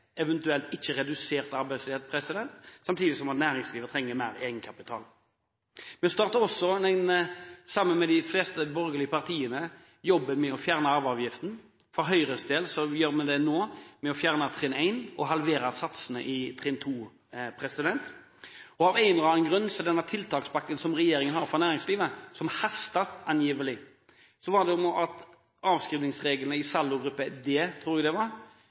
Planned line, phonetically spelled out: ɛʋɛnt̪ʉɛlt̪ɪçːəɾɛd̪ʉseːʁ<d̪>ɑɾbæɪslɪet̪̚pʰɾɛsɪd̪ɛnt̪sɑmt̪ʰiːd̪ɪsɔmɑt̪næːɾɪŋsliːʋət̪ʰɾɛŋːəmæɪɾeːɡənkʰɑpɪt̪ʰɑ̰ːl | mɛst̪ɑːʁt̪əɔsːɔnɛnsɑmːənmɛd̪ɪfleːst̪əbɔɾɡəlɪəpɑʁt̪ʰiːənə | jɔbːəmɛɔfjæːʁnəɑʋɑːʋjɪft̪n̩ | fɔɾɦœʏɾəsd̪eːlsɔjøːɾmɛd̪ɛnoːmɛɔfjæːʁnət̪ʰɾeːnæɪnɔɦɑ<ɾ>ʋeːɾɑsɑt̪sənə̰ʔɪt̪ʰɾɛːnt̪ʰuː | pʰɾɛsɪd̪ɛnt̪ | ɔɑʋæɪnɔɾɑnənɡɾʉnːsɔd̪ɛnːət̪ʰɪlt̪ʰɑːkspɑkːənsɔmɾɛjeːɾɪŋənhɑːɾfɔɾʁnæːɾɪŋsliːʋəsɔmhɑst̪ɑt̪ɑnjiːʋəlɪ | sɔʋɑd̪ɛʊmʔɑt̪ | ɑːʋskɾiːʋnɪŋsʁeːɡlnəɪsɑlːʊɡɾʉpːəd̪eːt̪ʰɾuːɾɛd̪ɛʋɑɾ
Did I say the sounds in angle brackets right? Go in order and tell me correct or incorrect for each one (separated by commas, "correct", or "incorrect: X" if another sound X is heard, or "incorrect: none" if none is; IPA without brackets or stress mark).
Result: incorrect: t̪, incorrect: l